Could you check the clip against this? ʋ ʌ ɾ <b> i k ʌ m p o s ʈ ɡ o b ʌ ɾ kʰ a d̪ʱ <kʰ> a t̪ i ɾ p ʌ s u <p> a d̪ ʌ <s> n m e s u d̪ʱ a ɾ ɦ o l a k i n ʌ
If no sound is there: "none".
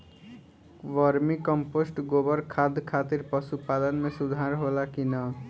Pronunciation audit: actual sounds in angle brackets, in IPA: m, kʰ, p, none

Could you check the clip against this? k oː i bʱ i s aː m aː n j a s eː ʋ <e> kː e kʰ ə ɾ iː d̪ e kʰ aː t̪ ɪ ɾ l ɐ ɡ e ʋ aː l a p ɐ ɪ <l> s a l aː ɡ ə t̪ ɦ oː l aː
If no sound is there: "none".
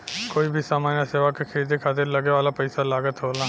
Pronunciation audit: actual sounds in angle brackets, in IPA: a, none

